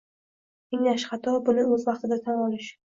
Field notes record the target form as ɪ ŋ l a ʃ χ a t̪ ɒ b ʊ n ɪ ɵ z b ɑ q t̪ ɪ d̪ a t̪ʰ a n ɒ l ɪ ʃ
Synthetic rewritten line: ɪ ŋ l a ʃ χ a t̪ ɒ b ʊ n ɪ ɵ z v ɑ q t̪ ɪ d̪ a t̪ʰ a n ɒ l ɪ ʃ